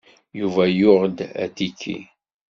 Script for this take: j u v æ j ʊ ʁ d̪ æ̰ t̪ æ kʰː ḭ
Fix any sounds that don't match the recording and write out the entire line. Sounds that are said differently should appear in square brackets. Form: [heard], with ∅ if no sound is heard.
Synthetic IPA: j u v æ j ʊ ʁ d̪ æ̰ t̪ [i] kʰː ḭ